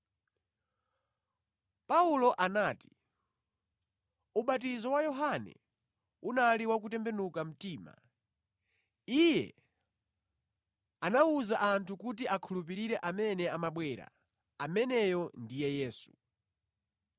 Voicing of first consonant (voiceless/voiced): voiceless